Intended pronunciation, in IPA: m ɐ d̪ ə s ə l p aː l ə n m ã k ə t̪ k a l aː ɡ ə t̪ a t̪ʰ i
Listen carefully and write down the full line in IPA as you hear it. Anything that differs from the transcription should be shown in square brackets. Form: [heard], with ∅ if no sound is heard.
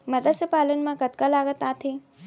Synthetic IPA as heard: m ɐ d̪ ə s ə [∅] p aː l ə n m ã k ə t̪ k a l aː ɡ ə t̪ a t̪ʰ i